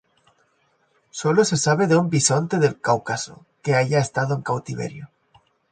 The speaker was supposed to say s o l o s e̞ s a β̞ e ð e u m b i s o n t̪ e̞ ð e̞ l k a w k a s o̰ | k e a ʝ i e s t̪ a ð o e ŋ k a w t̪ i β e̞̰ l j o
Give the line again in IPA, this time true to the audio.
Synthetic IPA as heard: s o l o s e̞ s a β̞ e ð e u m b i s o n t̪ e̞ ð e̞ l k a w k a s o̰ | k e a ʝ a e s t̪ a ð o e ŋ k a w t̪ i β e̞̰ ɾ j o